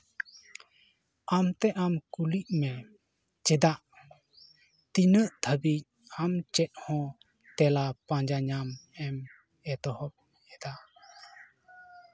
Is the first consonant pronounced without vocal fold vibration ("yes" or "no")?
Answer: no